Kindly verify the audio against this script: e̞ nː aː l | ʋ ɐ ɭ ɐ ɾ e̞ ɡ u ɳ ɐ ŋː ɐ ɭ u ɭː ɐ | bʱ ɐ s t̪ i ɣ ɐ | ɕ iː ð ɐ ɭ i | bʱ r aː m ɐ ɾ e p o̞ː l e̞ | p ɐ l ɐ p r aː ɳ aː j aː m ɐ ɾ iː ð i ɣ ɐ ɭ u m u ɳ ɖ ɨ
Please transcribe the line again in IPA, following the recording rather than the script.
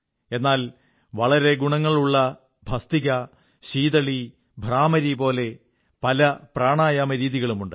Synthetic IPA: e̞ nː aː l | ʋ ɐ ɭ ɐ ɾ e̞ ɡ u ɳ ɐ ŋː ɐ ɭ u ɭː ɐ | bʱ ɐ s t̪ i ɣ ɐ | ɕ iː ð ɐ ɭ i | bʱ r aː m ɐ ɾ i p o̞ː l e̞ | p ɐ l ɐ p r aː ɳ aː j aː m ɐ ɾ iː ð i ɣ ɐ ɭ u m u ɳ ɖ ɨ

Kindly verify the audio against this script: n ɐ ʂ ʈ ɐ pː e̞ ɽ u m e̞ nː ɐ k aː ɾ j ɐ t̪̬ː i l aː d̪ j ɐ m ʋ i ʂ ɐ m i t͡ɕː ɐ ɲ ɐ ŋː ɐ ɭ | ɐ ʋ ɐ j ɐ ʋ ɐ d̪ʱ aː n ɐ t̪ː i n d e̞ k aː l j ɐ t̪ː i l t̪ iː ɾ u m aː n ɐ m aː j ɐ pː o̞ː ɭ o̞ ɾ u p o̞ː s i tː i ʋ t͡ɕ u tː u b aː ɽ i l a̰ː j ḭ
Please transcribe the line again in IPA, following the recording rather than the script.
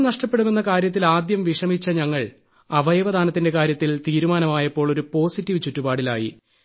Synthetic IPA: n ɐ ʂ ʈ ɐ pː e̞ ɽ u m e̞ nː ɐ k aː ɾ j ɐ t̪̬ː i l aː d̪ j ɐ m ʋ i ʂ ɐ m i t͡ɕː ɐ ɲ ɐ ŋː ɐ ɭ | ɐ ʋ ɐ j ɐ ʋ ɐ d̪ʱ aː n ɐ t̪ː i n d e̞ k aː ɾ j ɐ t̪ː i l t̪ iː ɾ u m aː n ɐ m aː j ɐ pː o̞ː ɭ o̞ ɾ u p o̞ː s i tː i ʋ t͡ɕ u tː u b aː ɽ i l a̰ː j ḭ

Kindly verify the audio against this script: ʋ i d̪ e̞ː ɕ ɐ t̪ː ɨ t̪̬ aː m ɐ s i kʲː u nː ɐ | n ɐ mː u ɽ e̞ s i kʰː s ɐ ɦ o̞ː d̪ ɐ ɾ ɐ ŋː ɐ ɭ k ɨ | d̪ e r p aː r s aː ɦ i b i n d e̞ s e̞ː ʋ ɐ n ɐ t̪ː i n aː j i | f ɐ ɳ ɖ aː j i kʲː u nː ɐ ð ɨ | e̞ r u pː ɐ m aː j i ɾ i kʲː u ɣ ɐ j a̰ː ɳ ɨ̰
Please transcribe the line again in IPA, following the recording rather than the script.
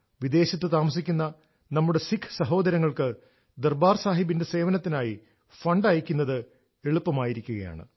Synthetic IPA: ʋ i d̪ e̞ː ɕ ɐ t̪ː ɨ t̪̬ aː m ɐ s i kʲː u nː ɐ | n ɐ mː u ɽ e̞ s i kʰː s ɐ ɦ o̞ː d̪ ɐ ɾ ɐ ŋː ɐ ɭ k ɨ | d̪ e r b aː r s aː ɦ i b i n d e̞ s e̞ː ʋ ɐ n ɐ t̪ː i n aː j i | f ɐ ɳ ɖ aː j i kʲː u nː ɐ ð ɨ | e̞ ɭ u pː ɐ m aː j i ɾ i kʲː u ɣ ɐ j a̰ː ɳ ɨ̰

